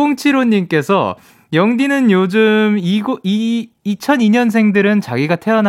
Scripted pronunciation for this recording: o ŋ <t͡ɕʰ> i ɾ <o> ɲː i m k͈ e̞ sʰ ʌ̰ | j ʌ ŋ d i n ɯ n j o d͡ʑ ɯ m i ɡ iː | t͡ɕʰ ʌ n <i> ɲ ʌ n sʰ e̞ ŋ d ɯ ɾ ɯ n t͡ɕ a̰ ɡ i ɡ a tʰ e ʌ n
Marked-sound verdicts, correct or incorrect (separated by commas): correct, correct, correct